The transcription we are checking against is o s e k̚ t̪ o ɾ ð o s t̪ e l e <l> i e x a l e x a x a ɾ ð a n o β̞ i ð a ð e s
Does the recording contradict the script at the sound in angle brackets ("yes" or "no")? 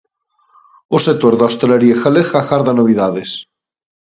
yes